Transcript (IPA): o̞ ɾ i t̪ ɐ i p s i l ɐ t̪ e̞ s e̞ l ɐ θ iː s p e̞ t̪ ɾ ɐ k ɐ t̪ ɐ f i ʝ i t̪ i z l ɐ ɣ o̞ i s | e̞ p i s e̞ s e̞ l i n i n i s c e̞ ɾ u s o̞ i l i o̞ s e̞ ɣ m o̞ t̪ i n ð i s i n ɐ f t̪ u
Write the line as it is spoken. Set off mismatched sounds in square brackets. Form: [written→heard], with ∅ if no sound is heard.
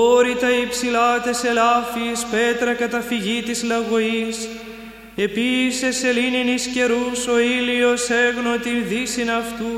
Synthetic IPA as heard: o̞ ɾ i t̪ ɐ i p s i l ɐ t̪ e̞ s e̞ l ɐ [θ→f] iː s p e̞ t̪ ɾ ɐ k ɐ t̪ ɐ f i ʝ i t̪ i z l ɐ ɣ o̞ i s | e̞ p i s e̞ s e̞ l i n i n i s c e̞ ɾ u s o̞ i l i o̞ s e̞ ɣ [m→n] o̞ t̪ i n ð i s i n ɐ f t̪ u